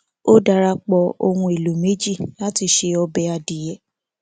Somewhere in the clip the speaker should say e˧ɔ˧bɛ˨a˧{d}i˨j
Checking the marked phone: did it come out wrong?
no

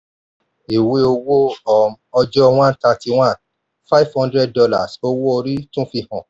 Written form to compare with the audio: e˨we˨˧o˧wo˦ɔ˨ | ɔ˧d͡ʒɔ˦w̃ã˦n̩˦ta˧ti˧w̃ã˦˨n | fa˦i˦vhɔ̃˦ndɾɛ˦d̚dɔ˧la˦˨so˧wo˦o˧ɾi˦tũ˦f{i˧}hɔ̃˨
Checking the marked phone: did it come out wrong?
no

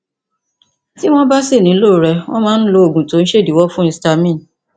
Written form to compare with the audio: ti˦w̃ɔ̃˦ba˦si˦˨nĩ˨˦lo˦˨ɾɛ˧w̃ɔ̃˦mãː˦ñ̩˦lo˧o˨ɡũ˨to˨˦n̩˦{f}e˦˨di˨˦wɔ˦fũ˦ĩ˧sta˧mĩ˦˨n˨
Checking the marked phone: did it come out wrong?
yes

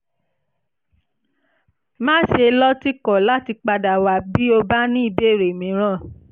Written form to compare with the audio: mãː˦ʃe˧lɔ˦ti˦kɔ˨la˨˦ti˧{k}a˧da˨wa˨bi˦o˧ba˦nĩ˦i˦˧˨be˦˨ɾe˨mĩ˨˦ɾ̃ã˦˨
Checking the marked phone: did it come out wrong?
yes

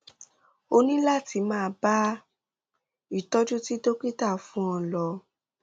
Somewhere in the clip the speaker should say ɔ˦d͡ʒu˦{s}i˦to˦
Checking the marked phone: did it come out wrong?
yes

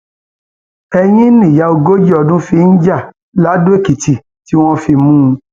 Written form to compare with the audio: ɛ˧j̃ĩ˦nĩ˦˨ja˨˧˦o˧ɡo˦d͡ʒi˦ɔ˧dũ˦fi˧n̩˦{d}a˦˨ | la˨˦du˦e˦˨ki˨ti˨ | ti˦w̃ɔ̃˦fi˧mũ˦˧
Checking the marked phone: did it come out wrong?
yes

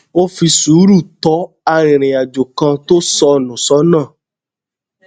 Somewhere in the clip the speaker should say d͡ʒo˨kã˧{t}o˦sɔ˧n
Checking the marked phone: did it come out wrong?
no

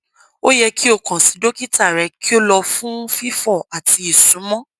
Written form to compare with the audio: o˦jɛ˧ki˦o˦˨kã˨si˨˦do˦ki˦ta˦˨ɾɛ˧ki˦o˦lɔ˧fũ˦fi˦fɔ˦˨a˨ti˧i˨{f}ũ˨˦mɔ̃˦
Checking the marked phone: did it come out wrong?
yes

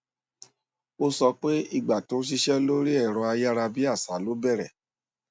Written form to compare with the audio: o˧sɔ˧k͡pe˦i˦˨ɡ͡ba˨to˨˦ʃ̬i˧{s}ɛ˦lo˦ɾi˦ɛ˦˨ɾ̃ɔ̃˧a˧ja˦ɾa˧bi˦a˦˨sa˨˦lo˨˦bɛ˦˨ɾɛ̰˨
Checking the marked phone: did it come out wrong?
yes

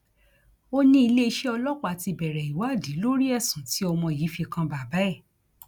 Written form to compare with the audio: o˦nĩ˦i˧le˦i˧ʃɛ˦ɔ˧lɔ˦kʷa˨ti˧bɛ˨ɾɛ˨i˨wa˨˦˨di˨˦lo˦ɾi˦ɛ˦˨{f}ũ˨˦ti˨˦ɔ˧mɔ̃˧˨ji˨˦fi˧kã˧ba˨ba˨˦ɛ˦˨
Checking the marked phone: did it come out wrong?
yes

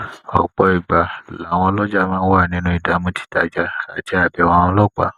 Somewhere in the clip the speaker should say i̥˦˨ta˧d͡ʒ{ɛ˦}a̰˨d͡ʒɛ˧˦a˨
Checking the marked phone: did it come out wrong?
yes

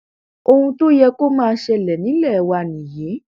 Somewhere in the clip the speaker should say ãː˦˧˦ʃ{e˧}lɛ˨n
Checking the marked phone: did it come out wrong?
yes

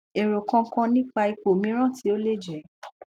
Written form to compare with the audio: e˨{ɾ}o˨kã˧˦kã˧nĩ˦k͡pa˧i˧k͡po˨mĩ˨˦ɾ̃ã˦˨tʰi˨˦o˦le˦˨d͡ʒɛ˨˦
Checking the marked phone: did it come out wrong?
no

